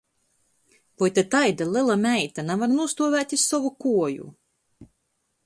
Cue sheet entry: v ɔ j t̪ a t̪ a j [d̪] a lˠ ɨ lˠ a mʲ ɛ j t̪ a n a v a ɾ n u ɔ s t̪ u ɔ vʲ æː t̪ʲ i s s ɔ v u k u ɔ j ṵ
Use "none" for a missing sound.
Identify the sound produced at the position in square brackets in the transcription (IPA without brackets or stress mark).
d̪